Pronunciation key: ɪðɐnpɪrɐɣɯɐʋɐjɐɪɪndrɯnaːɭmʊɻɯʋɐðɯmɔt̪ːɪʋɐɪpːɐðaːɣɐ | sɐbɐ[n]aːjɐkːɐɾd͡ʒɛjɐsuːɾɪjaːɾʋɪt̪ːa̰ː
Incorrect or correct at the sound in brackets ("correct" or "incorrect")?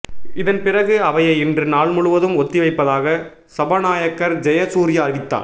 correct